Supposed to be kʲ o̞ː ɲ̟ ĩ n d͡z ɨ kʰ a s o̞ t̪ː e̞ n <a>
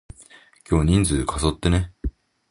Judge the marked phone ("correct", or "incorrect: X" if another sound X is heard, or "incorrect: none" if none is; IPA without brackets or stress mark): incorrect: e